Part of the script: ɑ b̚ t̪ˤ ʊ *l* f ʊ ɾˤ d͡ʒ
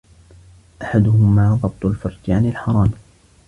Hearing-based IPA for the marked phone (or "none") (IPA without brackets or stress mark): l